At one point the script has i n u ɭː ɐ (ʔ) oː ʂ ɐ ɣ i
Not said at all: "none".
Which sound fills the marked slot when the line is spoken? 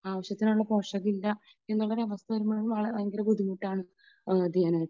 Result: p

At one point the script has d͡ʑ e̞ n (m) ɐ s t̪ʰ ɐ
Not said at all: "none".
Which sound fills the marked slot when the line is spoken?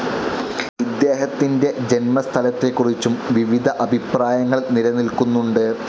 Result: m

